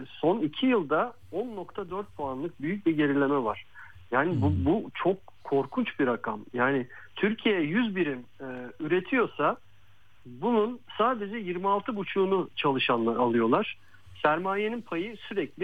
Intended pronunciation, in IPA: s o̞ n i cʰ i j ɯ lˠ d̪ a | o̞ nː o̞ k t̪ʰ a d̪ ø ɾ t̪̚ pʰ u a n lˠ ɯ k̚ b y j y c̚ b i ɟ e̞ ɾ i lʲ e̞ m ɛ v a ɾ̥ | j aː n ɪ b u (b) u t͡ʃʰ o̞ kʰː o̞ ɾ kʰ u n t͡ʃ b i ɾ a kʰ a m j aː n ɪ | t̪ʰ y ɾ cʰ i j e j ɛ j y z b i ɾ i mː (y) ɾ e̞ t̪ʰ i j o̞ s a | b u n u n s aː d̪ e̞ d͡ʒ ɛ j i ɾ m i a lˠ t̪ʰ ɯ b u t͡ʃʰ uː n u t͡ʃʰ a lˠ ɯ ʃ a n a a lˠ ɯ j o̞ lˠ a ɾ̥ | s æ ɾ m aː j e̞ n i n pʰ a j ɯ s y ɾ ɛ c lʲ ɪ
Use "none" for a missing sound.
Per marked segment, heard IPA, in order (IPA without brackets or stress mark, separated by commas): b, y